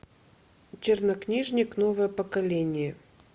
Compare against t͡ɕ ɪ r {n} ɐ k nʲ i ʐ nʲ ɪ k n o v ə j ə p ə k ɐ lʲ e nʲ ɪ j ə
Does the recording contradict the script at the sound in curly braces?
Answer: no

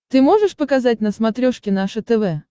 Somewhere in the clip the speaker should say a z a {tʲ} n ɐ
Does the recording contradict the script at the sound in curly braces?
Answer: no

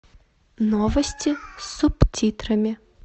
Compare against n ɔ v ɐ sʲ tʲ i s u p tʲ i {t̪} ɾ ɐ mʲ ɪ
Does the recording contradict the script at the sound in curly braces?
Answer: no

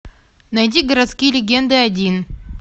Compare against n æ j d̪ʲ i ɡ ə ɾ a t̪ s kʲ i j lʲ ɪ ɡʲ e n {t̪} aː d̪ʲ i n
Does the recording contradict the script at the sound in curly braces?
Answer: yes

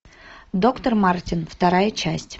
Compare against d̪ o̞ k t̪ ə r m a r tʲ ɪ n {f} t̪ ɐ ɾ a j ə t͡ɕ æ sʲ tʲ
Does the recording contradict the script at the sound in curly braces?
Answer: no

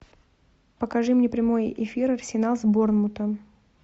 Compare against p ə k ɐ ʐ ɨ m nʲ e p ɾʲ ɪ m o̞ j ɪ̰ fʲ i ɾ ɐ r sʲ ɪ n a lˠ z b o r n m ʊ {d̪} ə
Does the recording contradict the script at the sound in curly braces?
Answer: yes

